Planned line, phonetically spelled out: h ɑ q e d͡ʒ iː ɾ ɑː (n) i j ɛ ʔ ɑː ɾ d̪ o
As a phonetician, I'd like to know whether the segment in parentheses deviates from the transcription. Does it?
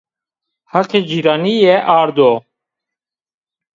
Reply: no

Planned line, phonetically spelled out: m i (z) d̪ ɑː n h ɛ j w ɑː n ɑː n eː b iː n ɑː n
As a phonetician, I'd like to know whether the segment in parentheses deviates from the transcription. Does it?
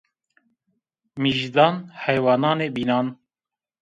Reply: yes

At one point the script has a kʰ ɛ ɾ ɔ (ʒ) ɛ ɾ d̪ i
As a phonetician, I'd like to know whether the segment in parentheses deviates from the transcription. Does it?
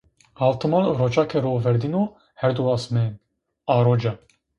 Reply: yes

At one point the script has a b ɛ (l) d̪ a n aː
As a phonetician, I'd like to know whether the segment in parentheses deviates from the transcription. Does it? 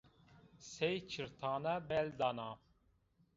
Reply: no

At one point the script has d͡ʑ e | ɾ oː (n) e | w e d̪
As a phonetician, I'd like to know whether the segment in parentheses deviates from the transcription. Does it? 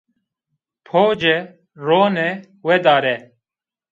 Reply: no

